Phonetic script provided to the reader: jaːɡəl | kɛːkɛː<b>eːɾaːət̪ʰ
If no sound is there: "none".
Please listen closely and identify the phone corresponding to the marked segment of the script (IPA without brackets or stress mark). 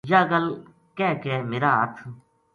m